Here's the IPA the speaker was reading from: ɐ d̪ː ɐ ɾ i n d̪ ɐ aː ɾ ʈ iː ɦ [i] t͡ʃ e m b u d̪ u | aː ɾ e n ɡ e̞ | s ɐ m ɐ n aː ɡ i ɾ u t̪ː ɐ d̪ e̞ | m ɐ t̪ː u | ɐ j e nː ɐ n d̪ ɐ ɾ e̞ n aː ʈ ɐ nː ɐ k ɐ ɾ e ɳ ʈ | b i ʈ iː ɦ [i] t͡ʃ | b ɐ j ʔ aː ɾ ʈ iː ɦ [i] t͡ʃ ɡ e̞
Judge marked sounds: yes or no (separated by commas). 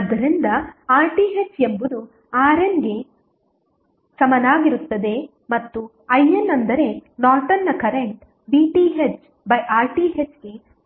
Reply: no, no, no